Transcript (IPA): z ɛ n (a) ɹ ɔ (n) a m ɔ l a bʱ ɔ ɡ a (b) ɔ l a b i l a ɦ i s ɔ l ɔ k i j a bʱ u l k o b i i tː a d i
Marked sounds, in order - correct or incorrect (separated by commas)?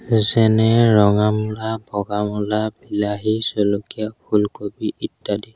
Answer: incorrect, incorrect, incorrect